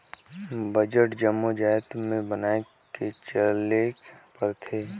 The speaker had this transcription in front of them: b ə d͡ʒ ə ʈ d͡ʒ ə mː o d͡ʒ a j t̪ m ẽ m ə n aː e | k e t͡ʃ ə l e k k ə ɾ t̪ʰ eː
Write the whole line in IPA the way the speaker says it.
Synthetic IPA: b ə d͡ʒ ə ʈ d͡ʒ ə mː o d͡ʒ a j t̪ m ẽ b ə n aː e | k e t͡ʃ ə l e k p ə ɾ t̪ʰ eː